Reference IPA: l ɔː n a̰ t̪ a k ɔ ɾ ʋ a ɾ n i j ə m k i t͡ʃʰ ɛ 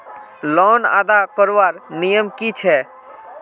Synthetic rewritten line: l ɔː n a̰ d̪ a k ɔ ɾ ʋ a ɾ n i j ə m k i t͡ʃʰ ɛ